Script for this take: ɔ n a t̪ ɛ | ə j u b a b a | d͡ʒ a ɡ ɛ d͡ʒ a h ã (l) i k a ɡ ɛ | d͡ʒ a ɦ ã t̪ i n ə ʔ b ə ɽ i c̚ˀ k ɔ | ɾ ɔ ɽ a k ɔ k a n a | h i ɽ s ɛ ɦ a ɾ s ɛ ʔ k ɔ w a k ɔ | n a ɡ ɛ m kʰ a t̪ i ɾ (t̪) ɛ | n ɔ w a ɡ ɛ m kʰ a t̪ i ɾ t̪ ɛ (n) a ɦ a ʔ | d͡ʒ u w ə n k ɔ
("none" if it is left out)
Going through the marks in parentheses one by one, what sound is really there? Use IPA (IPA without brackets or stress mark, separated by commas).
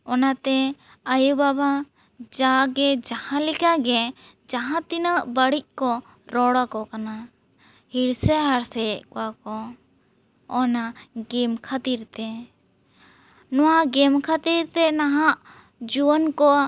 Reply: l, t̪, n